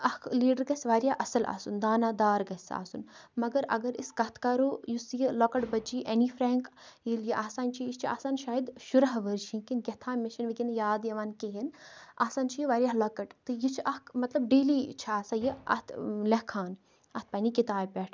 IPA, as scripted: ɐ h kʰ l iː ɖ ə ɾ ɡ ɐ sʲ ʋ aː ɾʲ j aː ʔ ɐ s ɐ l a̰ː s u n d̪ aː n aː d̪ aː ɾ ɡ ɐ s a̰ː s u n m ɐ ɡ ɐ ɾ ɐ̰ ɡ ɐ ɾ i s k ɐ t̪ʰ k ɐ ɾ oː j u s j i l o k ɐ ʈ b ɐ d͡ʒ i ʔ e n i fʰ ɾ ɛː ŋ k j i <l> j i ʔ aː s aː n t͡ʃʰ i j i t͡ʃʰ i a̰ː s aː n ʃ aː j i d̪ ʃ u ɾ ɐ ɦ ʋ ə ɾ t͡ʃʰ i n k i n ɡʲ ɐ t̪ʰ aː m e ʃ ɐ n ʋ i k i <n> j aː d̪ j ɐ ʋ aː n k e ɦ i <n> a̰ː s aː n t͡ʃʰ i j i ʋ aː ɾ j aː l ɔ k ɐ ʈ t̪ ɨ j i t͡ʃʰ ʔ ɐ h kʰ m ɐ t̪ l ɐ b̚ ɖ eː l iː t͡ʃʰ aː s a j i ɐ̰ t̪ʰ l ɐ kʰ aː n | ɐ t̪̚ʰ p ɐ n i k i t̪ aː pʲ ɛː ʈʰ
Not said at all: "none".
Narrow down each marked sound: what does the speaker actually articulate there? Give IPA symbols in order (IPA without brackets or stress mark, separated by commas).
l, n, n